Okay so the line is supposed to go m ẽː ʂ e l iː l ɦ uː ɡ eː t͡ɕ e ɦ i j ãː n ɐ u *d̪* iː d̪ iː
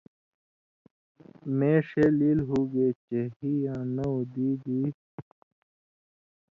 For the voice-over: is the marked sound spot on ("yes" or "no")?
yes